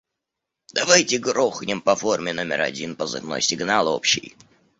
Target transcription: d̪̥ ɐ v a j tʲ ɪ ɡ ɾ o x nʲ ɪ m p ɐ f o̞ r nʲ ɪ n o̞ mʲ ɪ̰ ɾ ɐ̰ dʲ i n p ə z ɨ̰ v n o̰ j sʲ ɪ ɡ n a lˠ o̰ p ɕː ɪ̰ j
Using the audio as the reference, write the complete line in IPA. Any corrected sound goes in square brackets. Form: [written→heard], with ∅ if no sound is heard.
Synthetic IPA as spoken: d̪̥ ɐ v a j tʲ ɪ ɡ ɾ o x nʲ ɪ m p ɐ f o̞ r [nʲ→mʲ] ɪ n o̞ mʲ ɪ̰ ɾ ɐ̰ dʲ i n p ə z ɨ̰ v n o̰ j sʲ ɪ ɡ n a lˠ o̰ p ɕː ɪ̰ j